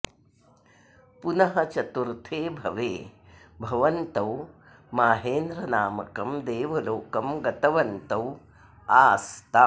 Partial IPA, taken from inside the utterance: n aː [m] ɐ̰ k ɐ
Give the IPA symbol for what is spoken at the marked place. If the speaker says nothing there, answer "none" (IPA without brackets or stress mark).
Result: m